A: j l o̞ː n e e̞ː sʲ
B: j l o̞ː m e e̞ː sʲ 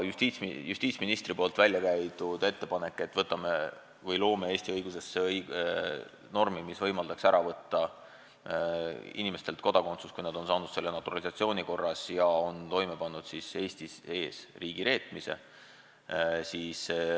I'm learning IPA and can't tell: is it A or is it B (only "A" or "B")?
B